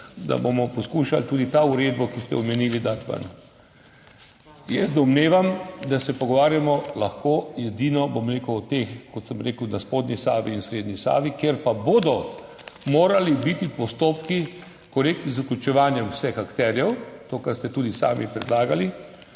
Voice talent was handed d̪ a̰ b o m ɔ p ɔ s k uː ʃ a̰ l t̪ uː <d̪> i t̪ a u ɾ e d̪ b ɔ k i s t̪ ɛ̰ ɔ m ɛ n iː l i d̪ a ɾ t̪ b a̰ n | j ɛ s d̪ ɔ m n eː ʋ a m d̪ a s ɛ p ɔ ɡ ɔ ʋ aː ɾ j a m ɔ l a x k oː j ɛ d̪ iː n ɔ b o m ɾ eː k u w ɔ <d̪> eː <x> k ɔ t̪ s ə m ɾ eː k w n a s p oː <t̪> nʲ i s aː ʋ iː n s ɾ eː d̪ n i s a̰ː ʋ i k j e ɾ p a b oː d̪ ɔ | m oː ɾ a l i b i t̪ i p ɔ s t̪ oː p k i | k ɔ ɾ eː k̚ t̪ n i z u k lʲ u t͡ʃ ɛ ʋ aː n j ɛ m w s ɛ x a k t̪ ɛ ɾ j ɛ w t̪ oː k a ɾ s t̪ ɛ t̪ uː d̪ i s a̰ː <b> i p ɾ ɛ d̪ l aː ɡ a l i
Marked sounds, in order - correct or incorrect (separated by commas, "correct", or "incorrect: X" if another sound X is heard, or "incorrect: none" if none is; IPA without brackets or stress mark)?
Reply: correct, incorrect: t̪, correct, incorrect: d̪, incorrect: m